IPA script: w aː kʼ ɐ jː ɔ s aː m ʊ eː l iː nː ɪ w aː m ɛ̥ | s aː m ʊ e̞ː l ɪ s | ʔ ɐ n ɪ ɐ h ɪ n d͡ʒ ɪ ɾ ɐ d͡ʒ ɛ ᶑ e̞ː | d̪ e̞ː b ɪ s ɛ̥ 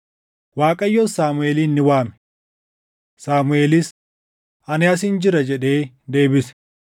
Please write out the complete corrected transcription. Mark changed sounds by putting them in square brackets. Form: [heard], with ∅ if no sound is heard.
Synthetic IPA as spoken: w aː kʼ ɐ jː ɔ s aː m ʊ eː l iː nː ɪ w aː m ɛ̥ | s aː m ʊ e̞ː l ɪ s | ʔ ɐ n ɪ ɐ [s] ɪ n d͡ʒ ɪ ɾ ɐ d͡ʒ ɛ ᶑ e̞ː | d̪ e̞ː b ɪ s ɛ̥